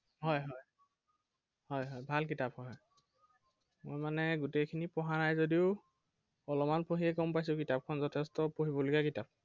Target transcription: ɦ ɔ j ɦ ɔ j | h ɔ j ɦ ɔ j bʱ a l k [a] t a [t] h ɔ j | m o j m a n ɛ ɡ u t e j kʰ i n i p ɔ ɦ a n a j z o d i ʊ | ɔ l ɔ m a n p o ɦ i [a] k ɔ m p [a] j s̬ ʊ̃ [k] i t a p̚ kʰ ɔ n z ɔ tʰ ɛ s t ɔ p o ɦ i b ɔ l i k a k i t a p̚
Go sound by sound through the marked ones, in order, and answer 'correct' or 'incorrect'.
incorrect, incorrect, incorrect, correct, correct

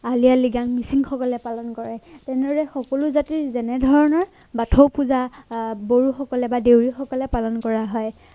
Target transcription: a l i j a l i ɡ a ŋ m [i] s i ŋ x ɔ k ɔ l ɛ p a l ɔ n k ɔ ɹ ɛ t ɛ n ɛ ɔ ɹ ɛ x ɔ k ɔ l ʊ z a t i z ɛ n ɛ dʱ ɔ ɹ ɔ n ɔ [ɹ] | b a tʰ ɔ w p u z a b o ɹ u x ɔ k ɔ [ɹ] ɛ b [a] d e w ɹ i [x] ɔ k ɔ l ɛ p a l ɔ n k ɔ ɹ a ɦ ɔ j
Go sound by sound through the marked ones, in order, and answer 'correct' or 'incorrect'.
correct, correct, incorrect, correct, correct

